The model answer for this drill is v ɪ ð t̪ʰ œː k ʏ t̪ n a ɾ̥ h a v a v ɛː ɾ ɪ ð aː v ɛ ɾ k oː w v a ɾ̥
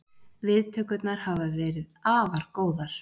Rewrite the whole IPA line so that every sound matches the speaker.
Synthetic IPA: v ɪ ð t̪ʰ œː k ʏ t̪ n a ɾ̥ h a v a v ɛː ɾ ɪ ð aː v a ɾ k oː w ð a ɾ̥